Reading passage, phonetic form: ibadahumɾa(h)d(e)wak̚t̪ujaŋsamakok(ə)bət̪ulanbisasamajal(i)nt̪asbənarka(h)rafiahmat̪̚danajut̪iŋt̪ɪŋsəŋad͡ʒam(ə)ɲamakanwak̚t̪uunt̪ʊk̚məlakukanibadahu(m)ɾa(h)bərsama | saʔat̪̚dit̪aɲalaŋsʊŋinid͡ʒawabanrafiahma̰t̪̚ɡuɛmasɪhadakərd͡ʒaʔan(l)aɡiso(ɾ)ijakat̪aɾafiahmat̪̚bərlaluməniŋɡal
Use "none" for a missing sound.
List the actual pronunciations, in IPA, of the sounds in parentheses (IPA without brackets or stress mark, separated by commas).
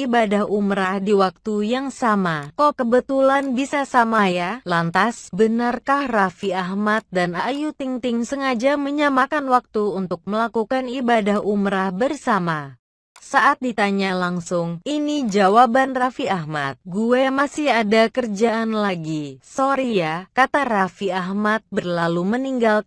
h, i, ə, a, h, ə, m, h, l, ɾ